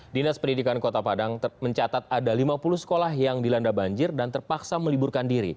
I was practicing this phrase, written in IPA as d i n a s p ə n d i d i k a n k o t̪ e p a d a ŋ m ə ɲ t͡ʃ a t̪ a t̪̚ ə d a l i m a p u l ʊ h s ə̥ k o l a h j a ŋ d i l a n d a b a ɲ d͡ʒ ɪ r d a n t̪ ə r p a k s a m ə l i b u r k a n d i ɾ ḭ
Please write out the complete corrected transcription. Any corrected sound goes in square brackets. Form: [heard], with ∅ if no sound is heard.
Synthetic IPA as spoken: d i n a s p ə n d i d i k a n k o t̪ [a] p a d a ŋ m ə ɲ t͡ʃ a t̪ a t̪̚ [a] d a l i m a p u l [u] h s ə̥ k o l a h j a ŋ d i l a n d a b a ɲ d͡ʒ ɪ r d a n t̪ ə r p a k s a m ə l i b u r k a n d i ɾ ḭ